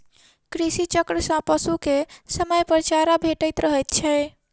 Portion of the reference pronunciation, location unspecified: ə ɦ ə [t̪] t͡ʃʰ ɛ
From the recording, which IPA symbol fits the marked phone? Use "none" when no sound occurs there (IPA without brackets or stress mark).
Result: t̪